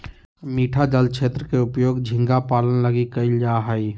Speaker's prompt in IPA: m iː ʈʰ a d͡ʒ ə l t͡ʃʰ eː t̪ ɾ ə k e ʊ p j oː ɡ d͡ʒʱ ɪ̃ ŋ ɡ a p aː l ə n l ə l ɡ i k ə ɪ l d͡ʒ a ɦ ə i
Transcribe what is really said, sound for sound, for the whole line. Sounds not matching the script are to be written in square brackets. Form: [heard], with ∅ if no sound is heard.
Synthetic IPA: m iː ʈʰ a d͡ʒ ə l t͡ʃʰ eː t̪ ɾ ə k e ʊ p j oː ɡ d͡ʒʱ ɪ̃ ŋ ɡ a p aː l ə n l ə [∅] ɡ i k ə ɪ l d͡ʒ a ɦ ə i